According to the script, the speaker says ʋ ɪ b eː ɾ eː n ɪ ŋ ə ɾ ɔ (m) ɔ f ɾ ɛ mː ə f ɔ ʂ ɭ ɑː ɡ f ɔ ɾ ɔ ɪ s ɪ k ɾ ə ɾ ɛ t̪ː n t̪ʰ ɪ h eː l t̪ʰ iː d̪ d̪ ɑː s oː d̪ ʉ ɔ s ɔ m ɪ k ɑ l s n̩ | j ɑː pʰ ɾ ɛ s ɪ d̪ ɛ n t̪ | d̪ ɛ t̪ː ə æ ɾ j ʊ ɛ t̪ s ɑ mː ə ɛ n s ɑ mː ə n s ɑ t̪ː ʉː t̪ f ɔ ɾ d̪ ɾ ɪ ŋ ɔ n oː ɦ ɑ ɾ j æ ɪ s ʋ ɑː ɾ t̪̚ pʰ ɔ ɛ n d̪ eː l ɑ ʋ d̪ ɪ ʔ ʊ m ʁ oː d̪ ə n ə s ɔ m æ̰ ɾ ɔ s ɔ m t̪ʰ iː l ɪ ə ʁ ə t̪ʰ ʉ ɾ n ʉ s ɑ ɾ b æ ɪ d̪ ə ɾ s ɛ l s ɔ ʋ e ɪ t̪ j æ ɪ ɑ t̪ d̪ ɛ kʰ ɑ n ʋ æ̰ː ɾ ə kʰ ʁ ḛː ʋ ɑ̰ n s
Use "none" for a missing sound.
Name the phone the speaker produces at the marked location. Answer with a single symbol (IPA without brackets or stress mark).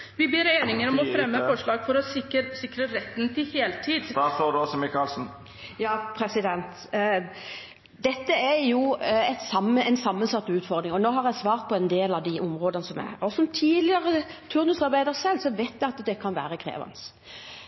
m